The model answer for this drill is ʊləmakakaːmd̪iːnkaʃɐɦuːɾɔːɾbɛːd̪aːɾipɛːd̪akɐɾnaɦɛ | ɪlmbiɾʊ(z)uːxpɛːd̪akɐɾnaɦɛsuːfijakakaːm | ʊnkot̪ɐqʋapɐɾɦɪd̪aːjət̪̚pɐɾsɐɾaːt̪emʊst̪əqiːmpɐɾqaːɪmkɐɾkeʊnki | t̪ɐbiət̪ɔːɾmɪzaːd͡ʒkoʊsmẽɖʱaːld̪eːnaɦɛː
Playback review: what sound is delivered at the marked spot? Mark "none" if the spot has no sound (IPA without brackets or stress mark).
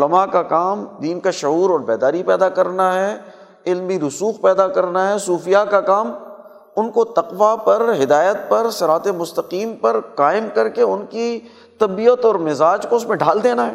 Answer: s